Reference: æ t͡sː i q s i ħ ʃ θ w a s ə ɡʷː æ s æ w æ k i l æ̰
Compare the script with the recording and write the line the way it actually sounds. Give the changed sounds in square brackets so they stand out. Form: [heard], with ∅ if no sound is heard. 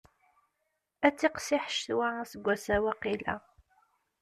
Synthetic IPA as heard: æ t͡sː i q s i ħ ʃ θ w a s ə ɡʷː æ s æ w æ [q] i l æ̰